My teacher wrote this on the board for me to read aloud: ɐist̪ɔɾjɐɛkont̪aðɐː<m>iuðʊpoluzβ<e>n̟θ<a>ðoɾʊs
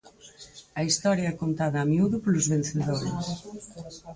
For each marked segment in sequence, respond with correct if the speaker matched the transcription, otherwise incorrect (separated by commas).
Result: correct, correct, incorrect